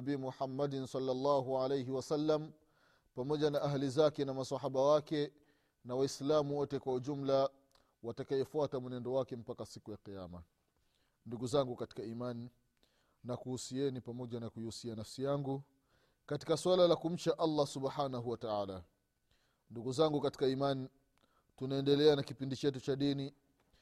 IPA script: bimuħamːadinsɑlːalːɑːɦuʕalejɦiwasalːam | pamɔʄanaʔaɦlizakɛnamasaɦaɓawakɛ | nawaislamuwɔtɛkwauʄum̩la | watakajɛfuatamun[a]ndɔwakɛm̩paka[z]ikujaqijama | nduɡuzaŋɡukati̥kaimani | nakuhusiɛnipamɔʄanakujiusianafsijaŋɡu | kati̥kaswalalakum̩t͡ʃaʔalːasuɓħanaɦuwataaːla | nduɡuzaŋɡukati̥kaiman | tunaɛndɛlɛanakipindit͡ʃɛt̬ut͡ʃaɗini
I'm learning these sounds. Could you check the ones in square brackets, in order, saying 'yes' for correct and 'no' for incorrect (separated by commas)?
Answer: no, no